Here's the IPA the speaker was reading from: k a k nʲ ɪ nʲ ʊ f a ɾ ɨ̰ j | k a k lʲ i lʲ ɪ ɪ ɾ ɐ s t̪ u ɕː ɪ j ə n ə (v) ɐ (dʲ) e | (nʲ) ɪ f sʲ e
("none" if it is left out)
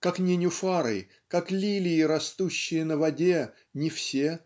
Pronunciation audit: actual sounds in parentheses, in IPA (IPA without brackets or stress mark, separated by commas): v, dʲ, nʲ